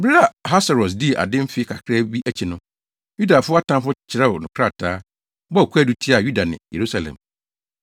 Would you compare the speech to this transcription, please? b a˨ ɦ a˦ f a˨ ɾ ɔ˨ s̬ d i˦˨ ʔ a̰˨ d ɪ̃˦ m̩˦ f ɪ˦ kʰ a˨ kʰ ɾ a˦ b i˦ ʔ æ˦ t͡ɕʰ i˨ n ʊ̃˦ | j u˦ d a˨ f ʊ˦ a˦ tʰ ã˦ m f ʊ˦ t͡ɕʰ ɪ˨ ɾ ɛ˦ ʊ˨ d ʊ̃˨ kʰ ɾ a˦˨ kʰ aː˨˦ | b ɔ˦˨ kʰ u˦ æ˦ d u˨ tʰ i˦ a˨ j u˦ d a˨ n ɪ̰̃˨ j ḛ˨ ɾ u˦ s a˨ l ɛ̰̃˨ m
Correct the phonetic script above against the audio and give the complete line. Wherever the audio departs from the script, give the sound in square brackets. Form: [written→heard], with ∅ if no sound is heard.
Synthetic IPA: b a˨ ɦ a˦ [f→s] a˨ ɾ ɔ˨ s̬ d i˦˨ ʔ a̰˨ d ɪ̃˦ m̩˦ f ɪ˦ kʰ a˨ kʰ ɾ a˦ b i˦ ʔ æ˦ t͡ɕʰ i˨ n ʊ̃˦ | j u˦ d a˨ f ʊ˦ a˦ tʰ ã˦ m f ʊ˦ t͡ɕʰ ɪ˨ ɾ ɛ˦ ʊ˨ [d→n] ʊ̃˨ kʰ ɾ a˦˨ [kʰ→tʰ] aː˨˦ | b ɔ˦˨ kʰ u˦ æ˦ d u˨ tʰ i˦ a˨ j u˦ d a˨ n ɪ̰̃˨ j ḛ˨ ɾ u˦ s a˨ l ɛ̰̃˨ m